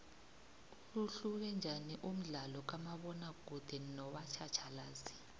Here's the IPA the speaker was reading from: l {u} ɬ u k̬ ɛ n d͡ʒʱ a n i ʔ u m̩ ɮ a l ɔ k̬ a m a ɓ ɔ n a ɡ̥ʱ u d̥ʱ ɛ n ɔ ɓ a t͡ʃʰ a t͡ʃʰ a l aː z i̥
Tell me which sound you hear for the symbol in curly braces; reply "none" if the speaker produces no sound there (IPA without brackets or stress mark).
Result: u